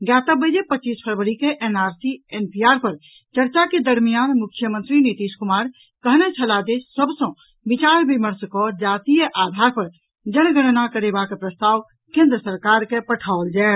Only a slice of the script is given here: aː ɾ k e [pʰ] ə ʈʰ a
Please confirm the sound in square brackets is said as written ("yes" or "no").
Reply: no